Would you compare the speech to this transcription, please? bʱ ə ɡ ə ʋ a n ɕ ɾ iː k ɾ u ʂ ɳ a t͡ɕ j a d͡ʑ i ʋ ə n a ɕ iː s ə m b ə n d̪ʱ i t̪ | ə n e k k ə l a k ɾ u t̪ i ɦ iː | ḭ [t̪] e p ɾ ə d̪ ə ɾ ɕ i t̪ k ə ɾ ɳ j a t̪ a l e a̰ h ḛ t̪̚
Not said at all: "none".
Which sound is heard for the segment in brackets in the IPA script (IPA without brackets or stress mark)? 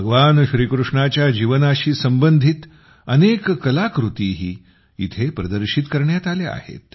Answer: t̪ʰ